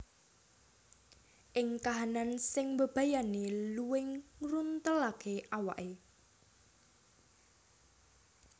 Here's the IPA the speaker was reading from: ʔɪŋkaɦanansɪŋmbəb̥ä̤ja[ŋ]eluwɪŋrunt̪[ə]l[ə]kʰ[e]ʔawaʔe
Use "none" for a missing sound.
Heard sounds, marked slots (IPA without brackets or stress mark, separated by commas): n, ə, a, e